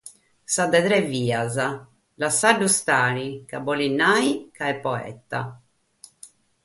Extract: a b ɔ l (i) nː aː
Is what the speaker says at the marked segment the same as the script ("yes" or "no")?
yes